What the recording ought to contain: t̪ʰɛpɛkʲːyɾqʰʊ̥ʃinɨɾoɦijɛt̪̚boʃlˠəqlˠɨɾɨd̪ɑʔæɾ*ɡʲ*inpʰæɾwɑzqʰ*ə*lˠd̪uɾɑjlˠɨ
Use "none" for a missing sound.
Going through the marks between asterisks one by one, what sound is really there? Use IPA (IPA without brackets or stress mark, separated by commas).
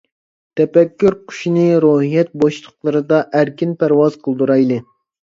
kʲ, ə